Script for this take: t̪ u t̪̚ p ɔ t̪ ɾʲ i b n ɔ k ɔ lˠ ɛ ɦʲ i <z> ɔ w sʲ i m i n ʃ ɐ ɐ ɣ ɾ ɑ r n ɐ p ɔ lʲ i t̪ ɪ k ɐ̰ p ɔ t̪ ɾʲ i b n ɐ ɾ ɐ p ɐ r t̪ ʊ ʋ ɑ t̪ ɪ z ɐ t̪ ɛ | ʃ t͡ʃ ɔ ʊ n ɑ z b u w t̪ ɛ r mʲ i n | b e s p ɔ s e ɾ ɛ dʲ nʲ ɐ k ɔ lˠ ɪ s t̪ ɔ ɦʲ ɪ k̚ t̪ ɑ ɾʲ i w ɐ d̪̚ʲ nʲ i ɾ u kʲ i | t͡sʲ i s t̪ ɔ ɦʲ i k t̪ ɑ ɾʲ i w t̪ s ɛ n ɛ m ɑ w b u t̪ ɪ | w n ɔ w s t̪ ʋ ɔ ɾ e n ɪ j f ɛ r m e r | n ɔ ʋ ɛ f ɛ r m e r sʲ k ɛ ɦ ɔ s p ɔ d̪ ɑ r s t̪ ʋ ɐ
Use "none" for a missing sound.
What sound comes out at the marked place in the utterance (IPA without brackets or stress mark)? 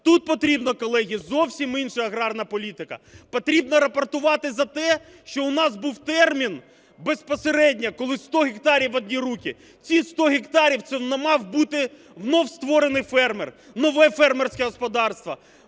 z